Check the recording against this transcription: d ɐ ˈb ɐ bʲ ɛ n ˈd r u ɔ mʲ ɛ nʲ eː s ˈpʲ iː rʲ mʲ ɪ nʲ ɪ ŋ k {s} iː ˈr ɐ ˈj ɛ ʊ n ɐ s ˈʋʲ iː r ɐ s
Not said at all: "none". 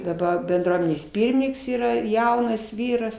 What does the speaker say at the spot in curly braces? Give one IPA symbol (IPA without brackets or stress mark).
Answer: s